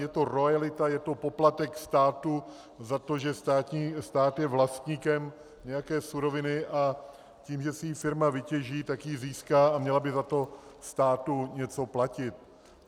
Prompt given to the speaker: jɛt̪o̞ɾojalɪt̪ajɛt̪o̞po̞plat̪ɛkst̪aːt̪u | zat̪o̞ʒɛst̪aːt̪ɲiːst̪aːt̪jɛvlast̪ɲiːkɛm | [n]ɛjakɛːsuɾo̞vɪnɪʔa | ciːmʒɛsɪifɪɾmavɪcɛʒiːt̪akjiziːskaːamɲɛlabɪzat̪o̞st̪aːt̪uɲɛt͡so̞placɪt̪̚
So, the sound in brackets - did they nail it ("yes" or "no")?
no